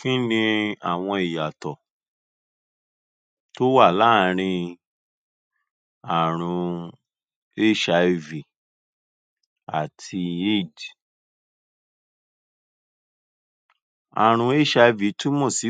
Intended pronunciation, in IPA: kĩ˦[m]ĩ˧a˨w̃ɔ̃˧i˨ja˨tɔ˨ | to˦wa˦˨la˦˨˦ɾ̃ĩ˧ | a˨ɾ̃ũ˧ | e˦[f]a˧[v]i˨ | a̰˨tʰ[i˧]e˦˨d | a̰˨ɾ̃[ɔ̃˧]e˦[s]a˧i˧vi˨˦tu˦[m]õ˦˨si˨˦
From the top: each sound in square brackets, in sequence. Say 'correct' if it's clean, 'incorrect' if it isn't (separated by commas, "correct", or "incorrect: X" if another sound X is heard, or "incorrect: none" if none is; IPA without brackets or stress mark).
incorrect: n, incorrect: ʃ, correct, correct, incorrect: ũ˧, incorrect: ʃ, correct